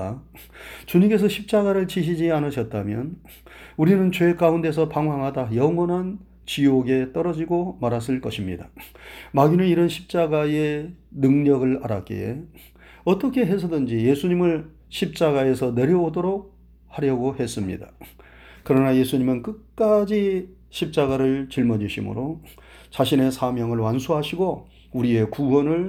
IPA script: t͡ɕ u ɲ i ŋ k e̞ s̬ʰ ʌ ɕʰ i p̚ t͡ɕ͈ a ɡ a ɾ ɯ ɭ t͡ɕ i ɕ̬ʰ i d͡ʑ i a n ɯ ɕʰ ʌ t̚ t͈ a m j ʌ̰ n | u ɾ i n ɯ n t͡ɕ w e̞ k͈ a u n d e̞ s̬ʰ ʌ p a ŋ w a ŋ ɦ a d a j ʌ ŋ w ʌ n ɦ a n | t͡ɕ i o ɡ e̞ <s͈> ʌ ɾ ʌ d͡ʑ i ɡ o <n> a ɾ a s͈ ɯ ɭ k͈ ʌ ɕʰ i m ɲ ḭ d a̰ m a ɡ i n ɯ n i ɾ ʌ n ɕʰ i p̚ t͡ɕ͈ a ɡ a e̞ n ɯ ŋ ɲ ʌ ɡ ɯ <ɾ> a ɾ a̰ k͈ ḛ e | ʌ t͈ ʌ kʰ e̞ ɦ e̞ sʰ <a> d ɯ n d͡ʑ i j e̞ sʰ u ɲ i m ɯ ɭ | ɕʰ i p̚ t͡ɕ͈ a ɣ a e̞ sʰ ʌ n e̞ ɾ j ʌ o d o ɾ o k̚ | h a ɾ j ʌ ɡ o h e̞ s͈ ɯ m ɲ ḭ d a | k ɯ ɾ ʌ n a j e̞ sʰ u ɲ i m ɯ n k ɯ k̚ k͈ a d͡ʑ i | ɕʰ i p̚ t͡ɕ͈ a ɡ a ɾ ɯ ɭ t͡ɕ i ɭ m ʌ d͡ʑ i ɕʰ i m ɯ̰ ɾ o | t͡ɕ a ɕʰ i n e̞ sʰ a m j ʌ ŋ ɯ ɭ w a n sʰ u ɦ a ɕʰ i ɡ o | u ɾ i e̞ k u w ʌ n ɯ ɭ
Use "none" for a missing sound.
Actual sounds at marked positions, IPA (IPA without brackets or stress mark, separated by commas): t͈, m, ɭ, ʌ